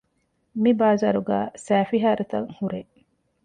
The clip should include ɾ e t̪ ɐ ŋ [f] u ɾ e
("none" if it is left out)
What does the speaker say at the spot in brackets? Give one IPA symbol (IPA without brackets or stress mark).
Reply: h